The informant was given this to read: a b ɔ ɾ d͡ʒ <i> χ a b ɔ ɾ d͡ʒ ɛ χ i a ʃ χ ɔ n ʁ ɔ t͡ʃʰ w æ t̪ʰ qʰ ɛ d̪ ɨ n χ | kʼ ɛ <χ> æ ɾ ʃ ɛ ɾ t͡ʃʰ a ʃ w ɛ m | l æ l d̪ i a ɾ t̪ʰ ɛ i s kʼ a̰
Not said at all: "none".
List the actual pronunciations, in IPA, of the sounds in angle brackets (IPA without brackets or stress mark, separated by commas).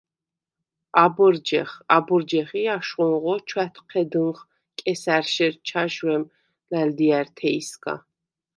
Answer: ɛ, s